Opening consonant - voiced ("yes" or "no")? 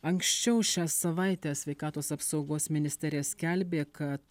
yes